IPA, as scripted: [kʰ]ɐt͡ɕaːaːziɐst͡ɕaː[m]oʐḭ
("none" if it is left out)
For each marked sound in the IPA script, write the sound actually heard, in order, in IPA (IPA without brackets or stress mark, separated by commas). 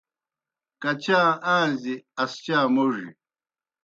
k, m